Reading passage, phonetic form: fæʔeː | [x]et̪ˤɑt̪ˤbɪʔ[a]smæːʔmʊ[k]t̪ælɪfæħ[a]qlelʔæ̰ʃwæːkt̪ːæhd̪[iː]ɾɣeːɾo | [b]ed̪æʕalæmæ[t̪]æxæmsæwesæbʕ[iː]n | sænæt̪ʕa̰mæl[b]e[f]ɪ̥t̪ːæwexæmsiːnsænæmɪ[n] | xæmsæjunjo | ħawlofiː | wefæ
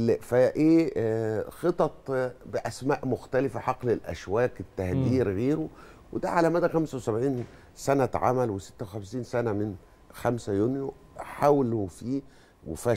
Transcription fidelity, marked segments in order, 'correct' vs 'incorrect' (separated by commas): correct, incorrect, incorrect, incorrect, correct, incorrect, incorrect, correct, incorrect, incorrect, correct